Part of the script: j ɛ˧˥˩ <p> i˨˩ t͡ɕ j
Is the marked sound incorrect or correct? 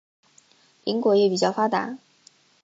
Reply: correct